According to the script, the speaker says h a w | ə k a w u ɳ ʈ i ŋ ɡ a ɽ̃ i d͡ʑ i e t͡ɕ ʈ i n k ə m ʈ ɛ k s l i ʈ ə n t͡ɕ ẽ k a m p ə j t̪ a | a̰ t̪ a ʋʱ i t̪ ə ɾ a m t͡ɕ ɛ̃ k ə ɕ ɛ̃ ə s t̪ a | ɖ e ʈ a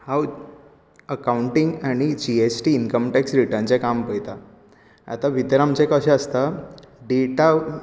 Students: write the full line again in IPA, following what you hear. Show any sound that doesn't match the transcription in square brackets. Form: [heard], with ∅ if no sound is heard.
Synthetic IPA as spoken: h a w | ə k a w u ɳ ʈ i ŋ ɡ a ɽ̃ i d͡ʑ i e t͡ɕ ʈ [iː] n k ə m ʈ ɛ k s [ɾ] i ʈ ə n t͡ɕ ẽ k a m p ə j t̪ a | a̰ t̪ a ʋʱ i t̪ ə ɾ a m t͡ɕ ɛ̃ k ə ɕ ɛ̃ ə s t̪ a | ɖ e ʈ a